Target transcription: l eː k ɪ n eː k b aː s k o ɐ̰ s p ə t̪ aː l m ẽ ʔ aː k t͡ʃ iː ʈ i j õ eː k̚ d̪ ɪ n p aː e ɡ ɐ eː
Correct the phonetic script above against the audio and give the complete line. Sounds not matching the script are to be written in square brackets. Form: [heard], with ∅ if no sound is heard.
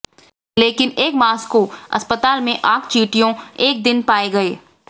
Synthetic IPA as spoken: l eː k ɪ n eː k [m] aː s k o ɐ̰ s p ə t̪ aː l m ẽ ʔ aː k t͡ʃ iː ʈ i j õ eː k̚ d̪ ɪ n p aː e ɡ ɐ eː

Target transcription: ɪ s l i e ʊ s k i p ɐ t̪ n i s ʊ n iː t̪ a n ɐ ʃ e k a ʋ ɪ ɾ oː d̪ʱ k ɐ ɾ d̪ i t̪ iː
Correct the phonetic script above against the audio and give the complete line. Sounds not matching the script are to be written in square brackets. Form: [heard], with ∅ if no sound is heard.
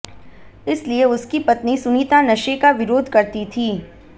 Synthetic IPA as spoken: ɪ s l i e ʊ s k i p ɐ t̪ n i s ʊ n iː t̪ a n ɐ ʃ e k a ʋ ɪ ɾ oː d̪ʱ k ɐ ɾ [t̪] i [t̪ʰ] iː

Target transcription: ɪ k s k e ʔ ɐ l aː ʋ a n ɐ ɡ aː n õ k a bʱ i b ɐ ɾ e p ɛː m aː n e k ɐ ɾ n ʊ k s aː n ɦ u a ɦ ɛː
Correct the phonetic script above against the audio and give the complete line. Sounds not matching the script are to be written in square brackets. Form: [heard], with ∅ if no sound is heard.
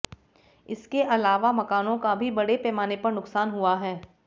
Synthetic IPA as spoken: ɪ [∅] s k e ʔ ɐ l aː ʋ a [m] ɐ [k] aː n õ k a bʱ i b ɐ [ɽ] e p ɛː m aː n e [p] ɐ ɾ n ʊ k s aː n ɦ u a ɦ ɛː

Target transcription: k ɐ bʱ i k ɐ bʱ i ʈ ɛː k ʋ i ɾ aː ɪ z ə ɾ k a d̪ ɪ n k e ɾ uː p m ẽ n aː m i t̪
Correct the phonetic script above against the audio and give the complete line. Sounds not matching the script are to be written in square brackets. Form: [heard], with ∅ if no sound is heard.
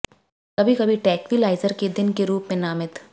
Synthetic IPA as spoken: k ɐ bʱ i k ɐ bʱ i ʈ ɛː k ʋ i [l] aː ɪ z ə ɾ k [e] d̪ ɪ n k e ɾ uː p m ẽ n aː m [ɪ] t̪

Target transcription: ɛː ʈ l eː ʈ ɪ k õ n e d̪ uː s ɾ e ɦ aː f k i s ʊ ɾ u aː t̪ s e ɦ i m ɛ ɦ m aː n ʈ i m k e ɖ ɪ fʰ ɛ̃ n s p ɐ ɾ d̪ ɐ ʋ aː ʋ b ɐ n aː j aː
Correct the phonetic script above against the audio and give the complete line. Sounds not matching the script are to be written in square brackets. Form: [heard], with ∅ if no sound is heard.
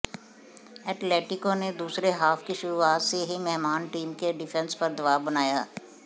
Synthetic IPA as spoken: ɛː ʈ l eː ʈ ɪ k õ n e d̪ uː s ɾ e ɦ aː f k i [ʃ] ʊ ɾ u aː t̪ s e ɦ i m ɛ ɦ m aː n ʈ [iː] m k e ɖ ɪ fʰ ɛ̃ n s p ɐ ɾ d̪ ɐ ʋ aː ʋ b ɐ n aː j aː

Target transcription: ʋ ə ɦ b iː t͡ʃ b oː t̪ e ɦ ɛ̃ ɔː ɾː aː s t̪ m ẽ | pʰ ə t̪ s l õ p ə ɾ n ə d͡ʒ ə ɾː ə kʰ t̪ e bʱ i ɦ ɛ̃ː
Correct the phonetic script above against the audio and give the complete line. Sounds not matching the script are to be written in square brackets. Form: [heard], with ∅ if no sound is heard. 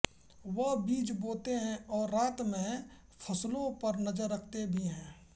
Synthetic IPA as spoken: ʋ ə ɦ b iː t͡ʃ b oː t̪ e ɦ ɛ̃ ɔː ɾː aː [∅] t̪ m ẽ | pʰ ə [∅] s l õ p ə ɾ n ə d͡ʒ ə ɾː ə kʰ t̪ e bʱ i ɦ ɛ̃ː

